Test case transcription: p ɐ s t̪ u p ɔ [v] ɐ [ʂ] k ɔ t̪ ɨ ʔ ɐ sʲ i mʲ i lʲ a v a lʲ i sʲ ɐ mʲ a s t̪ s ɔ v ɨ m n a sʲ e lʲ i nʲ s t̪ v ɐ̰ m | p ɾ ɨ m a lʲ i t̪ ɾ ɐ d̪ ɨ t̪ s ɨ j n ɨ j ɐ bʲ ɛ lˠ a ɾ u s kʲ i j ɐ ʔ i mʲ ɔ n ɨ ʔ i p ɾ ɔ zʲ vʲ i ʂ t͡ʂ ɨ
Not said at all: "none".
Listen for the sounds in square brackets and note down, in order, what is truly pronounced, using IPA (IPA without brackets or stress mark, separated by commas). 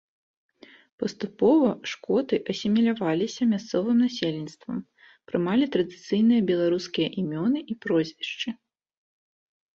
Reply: v, ʂ